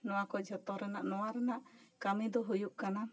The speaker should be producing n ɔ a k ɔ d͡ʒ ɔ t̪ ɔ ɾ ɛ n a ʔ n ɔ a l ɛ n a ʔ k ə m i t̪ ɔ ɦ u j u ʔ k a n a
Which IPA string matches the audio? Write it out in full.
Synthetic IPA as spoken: n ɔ a k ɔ d͡ʒ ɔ t̪ ɔ ɾ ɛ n a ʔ n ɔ a ɾ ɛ n a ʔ k a m i d̪ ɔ ɦ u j u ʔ k a n a